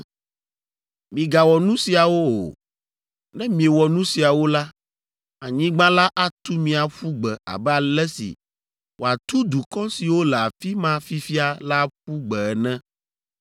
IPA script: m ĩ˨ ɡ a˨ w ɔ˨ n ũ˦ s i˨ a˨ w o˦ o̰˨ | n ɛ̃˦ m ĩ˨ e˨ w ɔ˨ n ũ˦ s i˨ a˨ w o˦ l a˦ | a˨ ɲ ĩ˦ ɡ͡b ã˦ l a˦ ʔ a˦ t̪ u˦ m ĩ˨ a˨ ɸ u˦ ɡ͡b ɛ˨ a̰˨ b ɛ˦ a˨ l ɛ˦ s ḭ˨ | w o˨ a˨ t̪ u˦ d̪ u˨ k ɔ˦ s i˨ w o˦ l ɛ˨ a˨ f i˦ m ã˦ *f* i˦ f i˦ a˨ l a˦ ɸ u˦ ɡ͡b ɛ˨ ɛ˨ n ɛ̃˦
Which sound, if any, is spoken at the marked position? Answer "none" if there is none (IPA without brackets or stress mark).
f